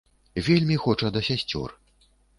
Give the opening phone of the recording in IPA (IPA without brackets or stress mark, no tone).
vʲ